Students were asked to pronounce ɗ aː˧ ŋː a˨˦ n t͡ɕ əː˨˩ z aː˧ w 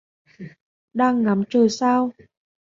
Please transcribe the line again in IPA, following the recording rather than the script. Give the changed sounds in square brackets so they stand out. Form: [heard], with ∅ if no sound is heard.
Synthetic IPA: ɗ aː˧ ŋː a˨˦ [m] t͡ɕ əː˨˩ [s] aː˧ w